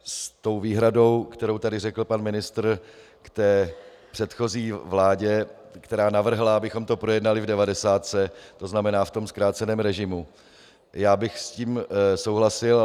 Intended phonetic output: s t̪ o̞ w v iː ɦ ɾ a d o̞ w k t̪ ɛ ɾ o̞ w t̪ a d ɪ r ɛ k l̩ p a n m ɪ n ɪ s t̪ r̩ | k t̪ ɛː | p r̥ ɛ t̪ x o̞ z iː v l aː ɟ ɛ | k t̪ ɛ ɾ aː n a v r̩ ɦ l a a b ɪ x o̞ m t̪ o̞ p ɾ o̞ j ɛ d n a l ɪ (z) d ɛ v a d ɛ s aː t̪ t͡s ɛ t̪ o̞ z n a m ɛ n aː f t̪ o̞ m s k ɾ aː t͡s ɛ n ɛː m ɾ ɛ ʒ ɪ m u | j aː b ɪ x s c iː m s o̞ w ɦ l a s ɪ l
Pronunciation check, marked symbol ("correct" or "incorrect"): incorrect